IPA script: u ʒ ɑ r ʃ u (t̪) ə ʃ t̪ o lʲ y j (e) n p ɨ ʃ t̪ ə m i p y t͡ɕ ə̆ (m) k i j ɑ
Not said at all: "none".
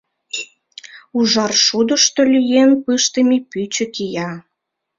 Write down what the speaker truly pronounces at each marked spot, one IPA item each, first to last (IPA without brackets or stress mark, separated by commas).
d̪, e, none